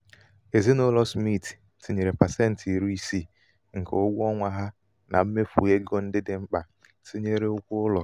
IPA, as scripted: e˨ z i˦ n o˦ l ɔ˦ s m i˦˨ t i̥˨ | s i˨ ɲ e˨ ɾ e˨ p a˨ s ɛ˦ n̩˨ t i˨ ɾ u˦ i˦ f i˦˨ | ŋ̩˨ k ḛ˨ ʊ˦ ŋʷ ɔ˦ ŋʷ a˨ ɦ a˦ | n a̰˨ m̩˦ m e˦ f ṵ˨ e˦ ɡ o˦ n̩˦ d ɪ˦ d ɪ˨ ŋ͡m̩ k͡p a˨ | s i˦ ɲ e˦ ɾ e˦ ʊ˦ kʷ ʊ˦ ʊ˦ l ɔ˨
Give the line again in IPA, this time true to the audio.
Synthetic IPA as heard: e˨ z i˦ n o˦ l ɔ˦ s m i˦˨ t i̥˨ | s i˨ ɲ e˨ ɾ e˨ p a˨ s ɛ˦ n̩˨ t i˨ ɾ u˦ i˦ s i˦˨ | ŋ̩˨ k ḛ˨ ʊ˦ ɡʷ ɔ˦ ŋʷ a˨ ɦ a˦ | n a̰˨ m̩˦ m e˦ f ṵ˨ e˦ ɡ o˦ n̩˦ d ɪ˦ d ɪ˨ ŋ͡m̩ k͡p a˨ | s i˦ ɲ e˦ ɾ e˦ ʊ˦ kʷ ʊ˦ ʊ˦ l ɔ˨